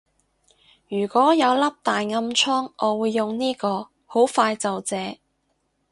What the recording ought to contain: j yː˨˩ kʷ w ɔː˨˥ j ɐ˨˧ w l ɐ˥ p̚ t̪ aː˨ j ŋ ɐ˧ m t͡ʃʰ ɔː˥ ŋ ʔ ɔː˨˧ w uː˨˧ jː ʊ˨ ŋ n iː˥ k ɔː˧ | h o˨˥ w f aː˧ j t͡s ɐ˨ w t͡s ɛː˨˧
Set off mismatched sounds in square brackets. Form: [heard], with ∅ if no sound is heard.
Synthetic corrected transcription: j yː˨˩ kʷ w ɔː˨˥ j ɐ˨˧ w l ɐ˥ p̚ t̪ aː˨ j ŋ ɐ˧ m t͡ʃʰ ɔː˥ ŋ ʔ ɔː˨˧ w uː˨˧ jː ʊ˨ ŋ n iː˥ k ɔː˧ | h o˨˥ w f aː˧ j t͡s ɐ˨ w t͡s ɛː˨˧